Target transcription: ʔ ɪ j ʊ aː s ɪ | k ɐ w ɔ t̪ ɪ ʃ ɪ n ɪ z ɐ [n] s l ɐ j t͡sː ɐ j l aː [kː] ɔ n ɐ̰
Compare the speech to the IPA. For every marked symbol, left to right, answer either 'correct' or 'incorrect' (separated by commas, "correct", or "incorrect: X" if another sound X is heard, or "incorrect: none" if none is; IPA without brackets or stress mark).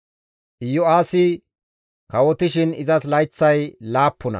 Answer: incorrect: none, incorrect: pː